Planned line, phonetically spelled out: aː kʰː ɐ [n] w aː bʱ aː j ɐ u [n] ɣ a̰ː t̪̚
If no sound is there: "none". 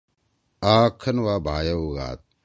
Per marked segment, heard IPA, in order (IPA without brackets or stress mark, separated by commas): n, none